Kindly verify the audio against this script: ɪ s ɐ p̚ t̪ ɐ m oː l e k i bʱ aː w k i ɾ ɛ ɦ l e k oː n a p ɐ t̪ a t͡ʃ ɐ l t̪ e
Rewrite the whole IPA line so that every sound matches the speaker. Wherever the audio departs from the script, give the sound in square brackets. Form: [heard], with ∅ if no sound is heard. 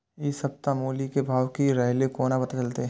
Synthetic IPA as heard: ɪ s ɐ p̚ t̪ [a] m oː l [i] k [e] bʱ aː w k i ɾ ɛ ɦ l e k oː n a p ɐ t̪ a t͡ʃ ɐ l t̪ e